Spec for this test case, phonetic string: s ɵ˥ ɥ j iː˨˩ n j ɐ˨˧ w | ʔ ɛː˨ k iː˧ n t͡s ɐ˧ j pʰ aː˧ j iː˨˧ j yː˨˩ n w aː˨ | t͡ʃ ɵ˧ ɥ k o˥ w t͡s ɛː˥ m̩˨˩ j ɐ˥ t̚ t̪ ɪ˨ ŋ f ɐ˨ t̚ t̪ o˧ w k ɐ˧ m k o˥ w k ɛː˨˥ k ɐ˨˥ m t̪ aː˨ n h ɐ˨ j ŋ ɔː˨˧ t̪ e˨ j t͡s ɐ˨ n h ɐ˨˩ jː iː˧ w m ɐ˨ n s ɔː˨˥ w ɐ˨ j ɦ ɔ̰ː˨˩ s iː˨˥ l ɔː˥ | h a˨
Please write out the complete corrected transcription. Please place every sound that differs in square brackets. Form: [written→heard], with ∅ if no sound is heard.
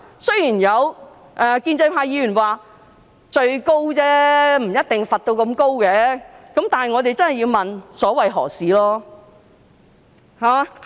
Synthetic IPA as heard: s ɵ˥ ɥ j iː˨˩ n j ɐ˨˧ w | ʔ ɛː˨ k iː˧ n t͡s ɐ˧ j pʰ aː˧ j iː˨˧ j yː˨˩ n w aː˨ | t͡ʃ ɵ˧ ɥ k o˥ w t͡s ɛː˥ m̩˨˩ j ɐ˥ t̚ t̪ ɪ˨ ŋ f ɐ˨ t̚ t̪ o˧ w k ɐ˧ m k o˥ w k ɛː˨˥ k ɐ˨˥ m t̪ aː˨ n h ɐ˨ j ŋ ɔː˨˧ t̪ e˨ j t͡s [ɐ˨→ɐ˥] n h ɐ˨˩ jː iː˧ w m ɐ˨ n s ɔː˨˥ w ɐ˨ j ɦ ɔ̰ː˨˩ s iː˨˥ l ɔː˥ | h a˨